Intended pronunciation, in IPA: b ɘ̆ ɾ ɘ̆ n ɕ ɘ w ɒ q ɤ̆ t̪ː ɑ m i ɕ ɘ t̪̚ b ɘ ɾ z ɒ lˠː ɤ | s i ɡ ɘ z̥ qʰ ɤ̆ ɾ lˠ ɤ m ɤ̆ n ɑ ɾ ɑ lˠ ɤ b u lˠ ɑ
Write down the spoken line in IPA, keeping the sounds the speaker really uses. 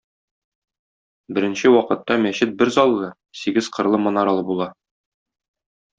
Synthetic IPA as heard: b ɘ̆ ɾ ɘ̆ n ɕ ɘ w ɒ q ɤ̆ t̪ː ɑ m æ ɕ ɘ t̪̚ b ɘ ɾ z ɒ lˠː ɤ | s i ɡ ɘ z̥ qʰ ɤ̆ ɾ lˠ ɤ m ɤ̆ n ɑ ɾ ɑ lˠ ɤ b u lˠ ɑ